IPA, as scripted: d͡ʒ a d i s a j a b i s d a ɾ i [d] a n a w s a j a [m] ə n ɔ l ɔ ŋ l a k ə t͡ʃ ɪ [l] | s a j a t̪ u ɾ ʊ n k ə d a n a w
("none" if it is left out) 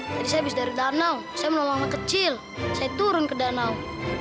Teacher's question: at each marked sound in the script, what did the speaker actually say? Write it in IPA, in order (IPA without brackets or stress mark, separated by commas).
d, m, l